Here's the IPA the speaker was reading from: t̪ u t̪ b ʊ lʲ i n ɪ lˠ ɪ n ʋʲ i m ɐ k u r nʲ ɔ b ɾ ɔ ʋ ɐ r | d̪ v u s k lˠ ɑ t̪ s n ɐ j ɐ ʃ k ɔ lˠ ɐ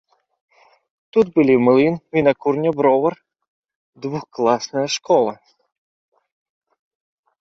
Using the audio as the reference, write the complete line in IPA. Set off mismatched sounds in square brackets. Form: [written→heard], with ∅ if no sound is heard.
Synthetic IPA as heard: t̪ u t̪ b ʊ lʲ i [n→m] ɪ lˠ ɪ n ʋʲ i [m→n] ɐ k u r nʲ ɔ b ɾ ɔ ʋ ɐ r | d̪ [v→ʋ] u [s→x] k lˠ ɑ [t̪→∅] s n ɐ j ɐ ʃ k ɔ lˠ ɐ